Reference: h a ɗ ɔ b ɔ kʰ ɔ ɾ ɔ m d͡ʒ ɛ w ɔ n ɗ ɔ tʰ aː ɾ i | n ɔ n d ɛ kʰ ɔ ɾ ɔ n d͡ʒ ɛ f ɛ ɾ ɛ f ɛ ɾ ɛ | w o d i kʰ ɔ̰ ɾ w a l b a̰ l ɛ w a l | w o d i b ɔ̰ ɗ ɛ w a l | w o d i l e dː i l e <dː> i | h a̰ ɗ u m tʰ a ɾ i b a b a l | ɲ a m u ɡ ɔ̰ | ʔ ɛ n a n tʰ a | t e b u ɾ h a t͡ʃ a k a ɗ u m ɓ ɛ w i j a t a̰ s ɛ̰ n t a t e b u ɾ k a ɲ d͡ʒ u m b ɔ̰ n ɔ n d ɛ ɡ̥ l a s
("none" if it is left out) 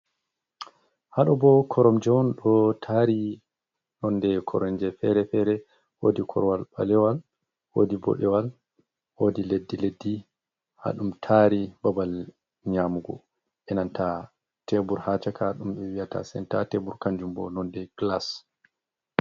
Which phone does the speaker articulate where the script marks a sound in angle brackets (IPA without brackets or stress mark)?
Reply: dː